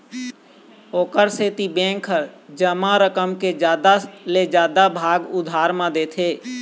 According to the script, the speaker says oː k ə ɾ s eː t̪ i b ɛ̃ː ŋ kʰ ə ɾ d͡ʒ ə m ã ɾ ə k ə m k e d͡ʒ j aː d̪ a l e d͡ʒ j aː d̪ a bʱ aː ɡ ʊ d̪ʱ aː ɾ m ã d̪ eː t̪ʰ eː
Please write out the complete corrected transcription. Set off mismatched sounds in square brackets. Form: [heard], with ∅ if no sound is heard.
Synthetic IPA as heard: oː k ə ɾ s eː t̪ i b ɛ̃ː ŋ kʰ ə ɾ d͡ʒ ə m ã ɾ ə k ə m k e d͡ʒ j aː d̪ a l e d͡ʒ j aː d̪ a bʱ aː ɡ ʊ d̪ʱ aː ɾ m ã d̪ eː t̪ʰ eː

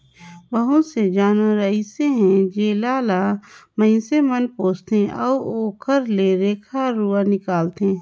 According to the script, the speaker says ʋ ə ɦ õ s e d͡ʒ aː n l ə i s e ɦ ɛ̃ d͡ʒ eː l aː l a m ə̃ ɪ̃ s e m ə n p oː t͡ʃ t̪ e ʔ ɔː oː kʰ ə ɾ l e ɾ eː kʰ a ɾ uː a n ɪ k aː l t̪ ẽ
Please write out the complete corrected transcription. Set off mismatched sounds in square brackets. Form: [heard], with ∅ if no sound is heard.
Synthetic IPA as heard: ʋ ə ɦ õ s e d͡ʒ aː n [ɾ] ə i s e ɦ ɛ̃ d͡ʒ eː l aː l a m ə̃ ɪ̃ s e m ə n p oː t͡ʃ t̪ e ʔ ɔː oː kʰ ə ɾ l e ɾ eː kʰ a ɾ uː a n ɪ k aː l t̪ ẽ

